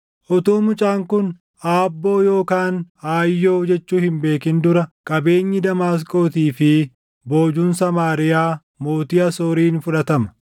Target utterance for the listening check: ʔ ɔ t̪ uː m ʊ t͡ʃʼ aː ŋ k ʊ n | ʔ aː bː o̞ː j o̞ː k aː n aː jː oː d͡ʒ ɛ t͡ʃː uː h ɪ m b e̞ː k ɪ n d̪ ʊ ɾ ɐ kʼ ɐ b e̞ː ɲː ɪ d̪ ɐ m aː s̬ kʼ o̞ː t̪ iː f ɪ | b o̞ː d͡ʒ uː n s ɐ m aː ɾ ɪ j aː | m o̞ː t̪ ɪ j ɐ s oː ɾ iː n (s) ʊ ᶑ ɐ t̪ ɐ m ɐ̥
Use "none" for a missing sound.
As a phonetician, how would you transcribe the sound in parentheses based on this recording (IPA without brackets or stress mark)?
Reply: f